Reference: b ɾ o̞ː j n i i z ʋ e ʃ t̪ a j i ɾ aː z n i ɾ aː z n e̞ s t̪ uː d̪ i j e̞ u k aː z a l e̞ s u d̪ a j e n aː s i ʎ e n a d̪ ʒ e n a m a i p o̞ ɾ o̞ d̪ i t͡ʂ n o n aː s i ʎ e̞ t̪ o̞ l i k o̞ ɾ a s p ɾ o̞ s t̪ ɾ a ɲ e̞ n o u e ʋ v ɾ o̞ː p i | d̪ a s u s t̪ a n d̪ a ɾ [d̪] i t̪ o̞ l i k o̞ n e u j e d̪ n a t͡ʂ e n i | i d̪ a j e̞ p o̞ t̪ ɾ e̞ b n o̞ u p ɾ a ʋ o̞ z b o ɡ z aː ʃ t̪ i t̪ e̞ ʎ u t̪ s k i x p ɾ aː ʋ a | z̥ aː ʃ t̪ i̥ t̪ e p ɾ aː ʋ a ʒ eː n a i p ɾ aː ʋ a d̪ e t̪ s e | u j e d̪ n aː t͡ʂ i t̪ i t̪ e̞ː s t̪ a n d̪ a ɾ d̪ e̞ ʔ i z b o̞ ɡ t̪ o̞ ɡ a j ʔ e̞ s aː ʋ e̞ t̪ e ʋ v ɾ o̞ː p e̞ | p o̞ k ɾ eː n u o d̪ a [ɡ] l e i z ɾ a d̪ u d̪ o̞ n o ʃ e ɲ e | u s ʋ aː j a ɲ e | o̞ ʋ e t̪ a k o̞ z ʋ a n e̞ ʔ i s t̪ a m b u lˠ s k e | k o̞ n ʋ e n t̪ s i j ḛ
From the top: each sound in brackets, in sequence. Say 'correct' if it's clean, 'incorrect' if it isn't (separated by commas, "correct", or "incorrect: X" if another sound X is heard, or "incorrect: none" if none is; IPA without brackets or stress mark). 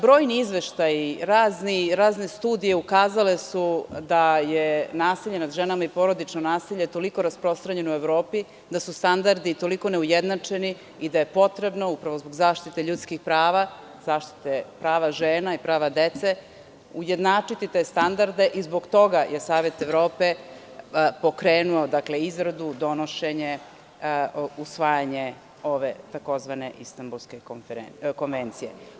correct, incorrect: k